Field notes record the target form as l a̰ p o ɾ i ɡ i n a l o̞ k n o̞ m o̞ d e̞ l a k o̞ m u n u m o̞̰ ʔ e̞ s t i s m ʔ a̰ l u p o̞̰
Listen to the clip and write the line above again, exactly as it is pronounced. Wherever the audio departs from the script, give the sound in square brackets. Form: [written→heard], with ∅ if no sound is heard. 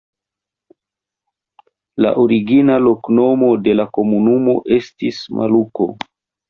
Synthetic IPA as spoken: l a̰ [p→ʔ] o ɾ i ɡ i n a l o̞ k n o̞ m o̞ d e̞ l a k o̞ m u n u m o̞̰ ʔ e̞ s t i s m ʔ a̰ l u [p→k] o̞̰